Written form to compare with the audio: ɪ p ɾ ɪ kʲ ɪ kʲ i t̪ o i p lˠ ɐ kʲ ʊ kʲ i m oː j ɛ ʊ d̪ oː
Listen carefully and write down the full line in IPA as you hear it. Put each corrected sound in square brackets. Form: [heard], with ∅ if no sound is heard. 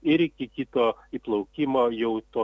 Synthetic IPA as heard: ɪ [∅] ɾ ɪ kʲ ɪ kʲ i t̪ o i p lˠ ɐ [∅] ʊ kʲ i m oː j ɛ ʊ [t̪] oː

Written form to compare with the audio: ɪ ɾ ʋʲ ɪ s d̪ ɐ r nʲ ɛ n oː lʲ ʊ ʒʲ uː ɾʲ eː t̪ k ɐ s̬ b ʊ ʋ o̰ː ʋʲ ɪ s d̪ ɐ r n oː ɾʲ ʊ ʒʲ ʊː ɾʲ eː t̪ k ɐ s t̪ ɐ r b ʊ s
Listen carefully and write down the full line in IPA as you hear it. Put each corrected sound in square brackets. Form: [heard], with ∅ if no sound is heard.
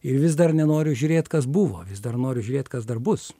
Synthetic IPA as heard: ɪ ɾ ʋʲ ɪ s d̪ ɐ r nʲ ɛ n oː [ɾʲ] ʊ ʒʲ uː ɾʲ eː t̪ k ɐ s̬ b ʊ ʋ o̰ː ʋʲ ɪ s d̪ ɐ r n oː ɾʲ ʊ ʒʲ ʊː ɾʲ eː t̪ k ɐ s [d̪] ɐ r b ʊ s

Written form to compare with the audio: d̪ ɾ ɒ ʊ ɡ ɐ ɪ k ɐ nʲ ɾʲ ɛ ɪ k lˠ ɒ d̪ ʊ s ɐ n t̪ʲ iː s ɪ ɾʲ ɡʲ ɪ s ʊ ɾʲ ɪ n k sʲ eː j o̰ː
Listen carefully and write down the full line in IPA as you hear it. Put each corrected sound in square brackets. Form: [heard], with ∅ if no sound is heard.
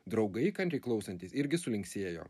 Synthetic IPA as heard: d̪ ɾ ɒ ʊ ɡ ɐ ɪ k ɐ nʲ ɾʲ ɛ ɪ k lˠ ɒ [∅] ʊ s ɐ n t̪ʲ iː s ɪ ɾʲ ɡʲ ɪ s ʊ [lʲ] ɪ [ŋ] k sʲ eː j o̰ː

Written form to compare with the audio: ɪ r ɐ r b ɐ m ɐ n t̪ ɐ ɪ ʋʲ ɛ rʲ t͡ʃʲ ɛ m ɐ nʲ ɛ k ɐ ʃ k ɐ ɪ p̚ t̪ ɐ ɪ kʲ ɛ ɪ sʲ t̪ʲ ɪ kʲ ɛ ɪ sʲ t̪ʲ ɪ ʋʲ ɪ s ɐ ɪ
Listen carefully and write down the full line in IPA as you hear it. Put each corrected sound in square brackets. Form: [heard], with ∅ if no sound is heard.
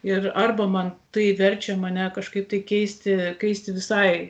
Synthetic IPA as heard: ɪ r ɐ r b ɐ m ɐ n t̪ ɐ ɪ ʋʲ ɛ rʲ t͡ʃʲ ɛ m ɐ nʲ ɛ k ɐ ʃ k ɐ ɪ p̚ t̪ ɐ ɪ kʲ ɛ ɪ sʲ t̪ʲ ɪ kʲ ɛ ɪ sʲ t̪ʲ ɪ ʋʲ ɪ s ɐ ɪ

